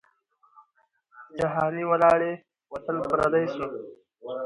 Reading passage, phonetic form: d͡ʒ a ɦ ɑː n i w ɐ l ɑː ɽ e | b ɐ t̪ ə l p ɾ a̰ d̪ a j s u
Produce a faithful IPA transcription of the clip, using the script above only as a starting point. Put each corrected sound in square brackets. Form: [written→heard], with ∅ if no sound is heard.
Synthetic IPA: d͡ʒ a ɦ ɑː n i w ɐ l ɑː ɽ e | [b→w] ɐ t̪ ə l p ɾ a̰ d̪ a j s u